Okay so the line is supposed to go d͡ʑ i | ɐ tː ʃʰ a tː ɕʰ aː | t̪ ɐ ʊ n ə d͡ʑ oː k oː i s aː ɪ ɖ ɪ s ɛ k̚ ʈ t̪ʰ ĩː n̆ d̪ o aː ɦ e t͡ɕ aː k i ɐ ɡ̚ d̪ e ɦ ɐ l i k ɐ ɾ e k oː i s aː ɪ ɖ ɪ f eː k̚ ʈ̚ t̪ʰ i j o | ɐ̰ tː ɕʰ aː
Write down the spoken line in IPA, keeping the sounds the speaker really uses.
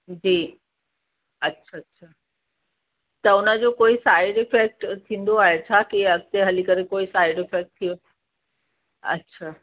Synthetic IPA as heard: d͡ʑ iː | ɐ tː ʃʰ a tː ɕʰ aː | t̪ ɐ ʊ n ə d͡ʑ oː k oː i s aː ɪ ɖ ɪ f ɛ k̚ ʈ t̪ʰ ĩː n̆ d̪ o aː ɦ e t͡ɕʰ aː k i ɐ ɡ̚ t̪ e ɦ ɐ l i k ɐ ɾ e k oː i s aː ɪ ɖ ɪ f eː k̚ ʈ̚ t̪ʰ i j o | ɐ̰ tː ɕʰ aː